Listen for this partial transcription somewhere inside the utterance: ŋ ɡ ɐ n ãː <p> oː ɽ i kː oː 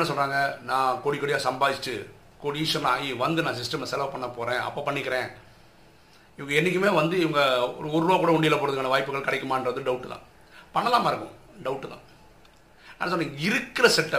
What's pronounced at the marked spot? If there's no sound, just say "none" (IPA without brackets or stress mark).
k